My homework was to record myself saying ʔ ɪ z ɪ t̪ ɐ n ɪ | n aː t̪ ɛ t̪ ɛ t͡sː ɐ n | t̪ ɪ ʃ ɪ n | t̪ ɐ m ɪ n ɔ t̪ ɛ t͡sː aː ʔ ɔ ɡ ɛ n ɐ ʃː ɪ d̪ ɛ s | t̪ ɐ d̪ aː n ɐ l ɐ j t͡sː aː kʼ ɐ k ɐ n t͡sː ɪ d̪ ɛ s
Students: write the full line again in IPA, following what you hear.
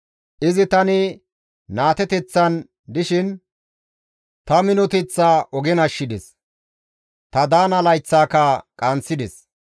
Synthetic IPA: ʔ ɪ z ɪ t̪ ɐ n ɪ | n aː t̪ ɛ t̪ ɛ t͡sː ɐ n | d̪ ɪ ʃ ɪ n | t̪ ɐ m ɪ n ɔ t̪ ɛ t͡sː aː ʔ ɔ ɡ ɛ n ɐ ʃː ɪ d̪ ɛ s | t̪ ɐ d̪ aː n ɐ l ɐ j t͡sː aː k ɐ kʼ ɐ n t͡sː ɪ d̪ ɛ s

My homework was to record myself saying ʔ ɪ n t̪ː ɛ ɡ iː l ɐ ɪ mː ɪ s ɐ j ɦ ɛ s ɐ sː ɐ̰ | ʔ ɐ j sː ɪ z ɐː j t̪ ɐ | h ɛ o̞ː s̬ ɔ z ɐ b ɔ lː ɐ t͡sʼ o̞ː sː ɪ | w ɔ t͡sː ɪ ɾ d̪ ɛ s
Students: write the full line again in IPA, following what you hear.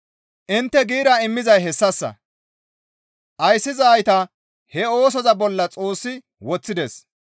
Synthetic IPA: ʔ ɪ n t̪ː ɛ ɡ iː ɾ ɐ ɪ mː ɪ z ɐ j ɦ ɛ sː ɐ sː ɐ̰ | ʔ ɐ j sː ɪ z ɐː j t̪ ɐ | h ɛ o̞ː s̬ ɔ z ɐ b ɔ lː ɐ t͡sʼ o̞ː sː ɪ | w ɔ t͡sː ɪ d̪ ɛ s

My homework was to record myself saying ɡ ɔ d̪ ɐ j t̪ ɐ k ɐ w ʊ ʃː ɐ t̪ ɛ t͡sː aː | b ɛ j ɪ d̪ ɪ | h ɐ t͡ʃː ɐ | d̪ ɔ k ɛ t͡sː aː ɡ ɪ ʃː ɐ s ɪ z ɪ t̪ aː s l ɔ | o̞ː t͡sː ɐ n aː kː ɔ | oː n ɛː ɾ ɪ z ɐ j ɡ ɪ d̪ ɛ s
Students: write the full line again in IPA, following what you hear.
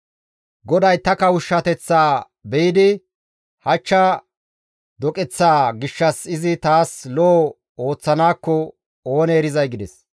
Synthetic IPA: ɡ ɔ d̪ ɐ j t̪ ɐ k ɐ w ʊ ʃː ɐ t̪ ɛ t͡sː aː | b ɛ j ɪ d̪ ɪ | h ɐ t͡ʃː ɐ | d̪ ɔ kʼ ɛ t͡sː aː ɡ ɪ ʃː ɐ s ɪ z ɪ t̪ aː s l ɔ | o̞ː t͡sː ɐ n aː kː ɔ | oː n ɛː ɾ ɪ z ɐ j ɡ ɪ d̪ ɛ s

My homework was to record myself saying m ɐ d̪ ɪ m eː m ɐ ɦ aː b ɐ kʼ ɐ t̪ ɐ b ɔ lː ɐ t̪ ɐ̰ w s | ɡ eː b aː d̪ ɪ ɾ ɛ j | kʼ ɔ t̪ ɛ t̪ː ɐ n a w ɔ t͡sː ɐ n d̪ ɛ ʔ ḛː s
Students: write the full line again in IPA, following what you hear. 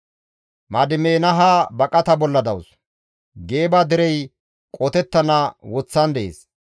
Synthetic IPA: m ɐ d̪ ɪ m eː n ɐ ɦ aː b ɐ kʼ ɐ t̪ ɐ b ɔ lː ɐ d̪ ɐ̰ w s | ɡ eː b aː d̪ ɪ ɾ ɛ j | kʼ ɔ t̪ ɛ t̪ː ɐ n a w ɔ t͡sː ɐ n d̪ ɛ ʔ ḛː s

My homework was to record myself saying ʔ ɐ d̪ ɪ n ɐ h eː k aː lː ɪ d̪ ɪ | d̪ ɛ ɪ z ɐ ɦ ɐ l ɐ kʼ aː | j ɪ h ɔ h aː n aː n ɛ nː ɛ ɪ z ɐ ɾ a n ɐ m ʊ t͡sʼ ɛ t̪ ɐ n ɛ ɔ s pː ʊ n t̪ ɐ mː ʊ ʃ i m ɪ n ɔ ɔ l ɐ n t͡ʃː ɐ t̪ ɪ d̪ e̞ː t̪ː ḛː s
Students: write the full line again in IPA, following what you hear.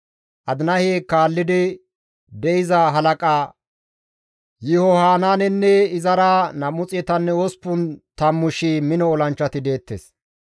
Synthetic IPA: ʔ ɐ d̪ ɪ n ɐ h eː k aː lː ɪ d̪ ɪ | d̪ ɛ ɪ z ɐ ɦ ɐ l ɐ kʼ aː | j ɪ h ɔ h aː n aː n ɛ nː ɛ ɪ z ɐ ɾ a n ɐ m ʊ t͡sʼ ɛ t̪ ɐ nː ɛ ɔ s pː ʊ n t̪ ɐ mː ʊ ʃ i m ɪ n ɔ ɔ l ɐ n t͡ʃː ɐ t̪ ɪ d̪ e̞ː t̪ː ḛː s

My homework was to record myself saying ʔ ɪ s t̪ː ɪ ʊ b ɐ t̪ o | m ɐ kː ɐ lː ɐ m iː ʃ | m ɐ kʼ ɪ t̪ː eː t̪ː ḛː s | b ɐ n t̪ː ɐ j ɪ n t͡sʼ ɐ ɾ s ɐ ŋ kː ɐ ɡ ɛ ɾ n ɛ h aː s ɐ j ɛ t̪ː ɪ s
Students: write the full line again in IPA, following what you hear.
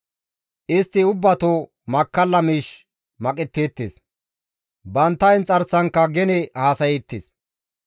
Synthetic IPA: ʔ ɪ s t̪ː ɪ ʊ bː ɐ t̪ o | m ɐ kː ɐ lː ɐ m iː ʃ | m ɐ kʼ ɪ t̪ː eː t̪ː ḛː s | b ɐ n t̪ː ɐ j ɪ n t͡sʼ ɐ ɾ s ɐ ŋ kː ɐ ɡ ɛ n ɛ h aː s ɐ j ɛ t̪ː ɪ s

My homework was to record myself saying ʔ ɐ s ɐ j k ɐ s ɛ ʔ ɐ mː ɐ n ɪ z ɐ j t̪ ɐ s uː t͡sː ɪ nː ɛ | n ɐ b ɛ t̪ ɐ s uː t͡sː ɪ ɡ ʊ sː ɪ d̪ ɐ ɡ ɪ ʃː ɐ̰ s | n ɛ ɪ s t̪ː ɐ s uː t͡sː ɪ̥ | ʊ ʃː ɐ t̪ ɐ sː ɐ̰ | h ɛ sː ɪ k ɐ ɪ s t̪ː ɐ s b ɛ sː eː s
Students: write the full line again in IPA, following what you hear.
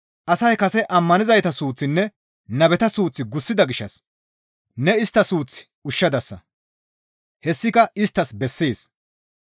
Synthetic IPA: ʔ ɐ s ɐ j k ɐ s ɛ ʔ ɐ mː ɐ n ɪ z ɐ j t̪ ɐ s uː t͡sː ɪ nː ɛ | n ɐ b ɛ t̪ ɐ s uː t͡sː ɪ ɡ ʊ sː ɪ d̪ ɐ ɡ ɪ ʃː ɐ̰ s | n ɛ ɪ s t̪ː ɐ s uː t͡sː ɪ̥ | ʊ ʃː ɐ d̪ ɐ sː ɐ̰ | h ɛ sː ɪ k ɐ ɪ s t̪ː ɐ s b ɛ sː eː s

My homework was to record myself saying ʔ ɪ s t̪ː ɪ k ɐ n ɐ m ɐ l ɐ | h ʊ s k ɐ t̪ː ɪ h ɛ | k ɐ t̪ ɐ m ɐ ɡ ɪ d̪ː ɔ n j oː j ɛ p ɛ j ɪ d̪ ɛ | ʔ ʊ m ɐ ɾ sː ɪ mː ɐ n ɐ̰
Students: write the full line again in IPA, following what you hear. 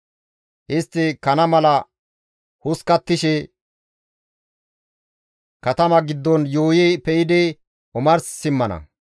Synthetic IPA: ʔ ɪ s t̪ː ɪ k ɐ n ɐ m ɐ l ɐ | h ʊ s k ɐ t̪ː ɪ ʃ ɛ | k ɐ t̪ ɐ m ɐ ɡ ɪ d̪ː ɔ n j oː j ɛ p ɛ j ɪ d̪ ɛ | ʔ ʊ m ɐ ɾ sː ɪ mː ɐ n ɐ̰

